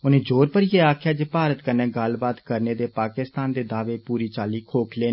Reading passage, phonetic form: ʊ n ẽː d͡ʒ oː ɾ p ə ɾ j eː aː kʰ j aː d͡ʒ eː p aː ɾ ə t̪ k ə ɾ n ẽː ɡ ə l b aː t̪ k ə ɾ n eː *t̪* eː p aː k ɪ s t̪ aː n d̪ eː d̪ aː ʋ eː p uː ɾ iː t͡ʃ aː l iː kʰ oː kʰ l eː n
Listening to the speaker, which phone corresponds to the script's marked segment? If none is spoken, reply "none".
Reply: d̪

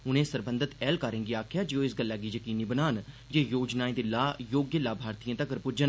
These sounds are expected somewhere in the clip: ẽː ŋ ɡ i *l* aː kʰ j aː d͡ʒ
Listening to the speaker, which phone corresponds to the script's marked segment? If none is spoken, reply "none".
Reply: none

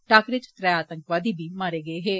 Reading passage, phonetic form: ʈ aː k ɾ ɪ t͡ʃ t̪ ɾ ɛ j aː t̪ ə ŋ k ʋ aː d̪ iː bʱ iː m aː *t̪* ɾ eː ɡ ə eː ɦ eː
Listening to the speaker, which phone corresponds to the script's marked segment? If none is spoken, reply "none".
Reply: none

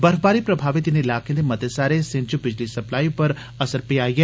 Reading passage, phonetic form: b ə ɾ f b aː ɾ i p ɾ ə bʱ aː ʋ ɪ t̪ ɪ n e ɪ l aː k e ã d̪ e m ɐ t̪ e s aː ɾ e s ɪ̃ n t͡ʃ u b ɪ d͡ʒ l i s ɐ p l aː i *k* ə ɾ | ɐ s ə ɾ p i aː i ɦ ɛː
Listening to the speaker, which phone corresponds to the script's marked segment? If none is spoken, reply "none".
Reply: p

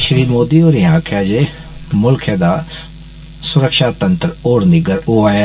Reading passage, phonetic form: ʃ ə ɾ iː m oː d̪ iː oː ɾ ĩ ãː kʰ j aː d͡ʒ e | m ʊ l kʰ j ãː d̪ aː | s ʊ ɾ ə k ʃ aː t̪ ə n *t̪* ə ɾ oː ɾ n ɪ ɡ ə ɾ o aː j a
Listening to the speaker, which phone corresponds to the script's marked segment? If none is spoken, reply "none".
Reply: t̪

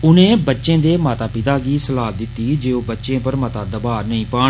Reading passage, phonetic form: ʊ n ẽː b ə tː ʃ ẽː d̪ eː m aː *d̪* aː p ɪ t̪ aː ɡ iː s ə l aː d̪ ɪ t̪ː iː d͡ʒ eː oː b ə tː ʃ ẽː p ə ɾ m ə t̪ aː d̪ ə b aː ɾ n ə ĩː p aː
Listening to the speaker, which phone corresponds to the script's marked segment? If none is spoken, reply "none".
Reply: t̪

